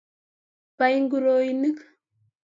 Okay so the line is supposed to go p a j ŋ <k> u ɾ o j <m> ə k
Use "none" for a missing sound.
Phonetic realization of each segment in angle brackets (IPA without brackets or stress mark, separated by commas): ɡ, n